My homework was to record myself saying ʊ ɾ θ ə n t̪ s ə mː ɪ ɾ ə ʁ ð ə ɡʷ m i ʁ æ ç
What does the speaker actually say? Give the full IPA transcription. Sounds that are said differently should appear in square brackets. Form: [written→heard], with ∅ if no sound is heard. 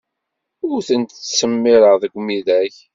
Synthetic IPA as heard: ʊ ɾ θ ə n t̪ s ə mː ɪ ɾ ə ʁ ð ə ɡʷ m i [ʁ→ð] æ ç